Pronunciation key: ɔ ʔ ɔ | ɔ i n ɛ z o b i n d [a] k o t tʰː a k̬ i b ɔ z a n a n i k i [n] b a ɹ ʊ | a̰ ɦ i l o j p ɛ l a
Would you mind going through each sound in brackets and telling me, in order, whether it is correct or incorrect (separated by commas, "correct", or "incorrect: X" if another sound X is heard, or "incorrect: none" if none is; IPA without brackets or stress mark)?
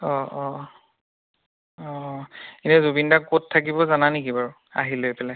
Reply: correct, incorrect: none